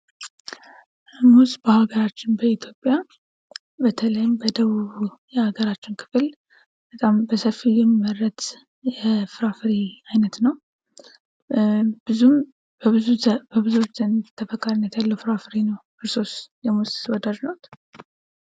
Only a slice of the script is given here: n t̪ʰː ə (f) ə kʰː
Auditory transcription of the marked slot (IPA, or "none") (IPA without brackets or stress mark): f